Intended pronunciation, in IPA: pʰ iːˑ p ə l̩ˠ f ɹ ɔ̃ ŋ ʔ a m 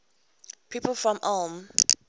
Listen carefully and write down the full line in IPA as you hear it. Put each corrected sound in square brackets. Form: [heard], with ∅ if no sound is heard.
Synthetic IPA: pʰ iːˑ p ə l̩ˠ f ɹ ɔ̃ [m] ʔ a m